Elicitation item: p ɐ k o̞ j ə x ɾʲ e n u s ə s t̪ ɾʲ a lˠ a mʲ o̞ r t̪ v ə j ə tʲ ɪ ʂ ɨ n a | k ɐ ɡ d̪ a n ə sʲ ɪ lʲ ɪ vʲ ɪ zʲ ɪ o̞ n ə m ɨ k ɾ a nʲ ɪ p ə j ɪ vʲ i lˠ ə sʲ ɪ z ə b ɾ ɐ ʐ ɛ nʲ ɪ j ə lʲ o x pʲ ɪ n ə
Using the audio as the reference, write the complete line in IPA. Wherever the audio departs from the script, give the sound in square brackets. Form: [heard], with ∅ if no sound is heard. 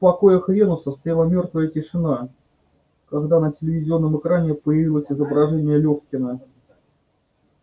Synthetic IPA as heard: p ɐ k o̞ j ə x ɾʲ e n [ʊ] s ə s t̪ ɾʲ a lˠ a mʲ o̞ r t̪ v ə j ə tʲ ɪ ʂ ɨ n a | k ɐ ɡ d̪ a n ə [tʲ] ɪ lʲ ɪ vʲ ɪ zʲ ɪ o̞ [nː] ə m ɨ k ɾ a nʲ ɪ p ə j ɪ vʲ i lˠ ə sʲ ɪ z ə b ɾ ɐ ʐ ɛ nʲ ɪ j ə lʲ o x [kʲ] ɪ n ə